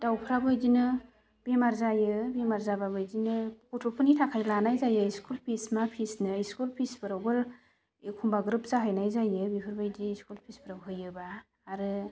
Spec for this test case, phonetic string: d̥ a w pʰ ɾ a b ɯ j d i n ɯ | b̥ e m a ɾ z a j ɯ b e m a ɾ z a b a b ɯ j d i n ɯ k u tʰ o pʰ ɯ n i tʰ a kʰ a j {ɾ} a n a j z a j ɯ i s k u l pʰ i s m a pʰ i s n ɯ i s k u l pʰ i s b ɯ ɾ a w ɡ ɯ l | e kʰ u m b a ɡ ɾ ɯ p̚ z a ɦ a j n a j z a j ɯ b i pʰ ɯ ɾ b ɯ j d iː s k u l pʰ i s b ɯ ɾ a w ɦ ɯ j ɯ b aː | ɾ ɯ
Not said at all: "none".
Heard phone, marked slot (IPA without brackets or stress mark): l